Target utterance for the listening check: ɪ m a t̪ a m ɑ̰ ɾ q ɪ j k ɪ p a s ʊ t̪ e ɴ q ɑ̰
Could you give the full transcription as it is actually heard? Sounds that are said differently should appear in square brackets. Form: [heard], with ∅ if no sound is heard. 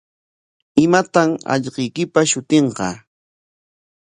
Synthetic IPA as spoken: ɪ m a t̪ a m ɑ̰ [ʎ] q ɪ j k ɪ p a [ʃ] ʊ t̪ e ɴ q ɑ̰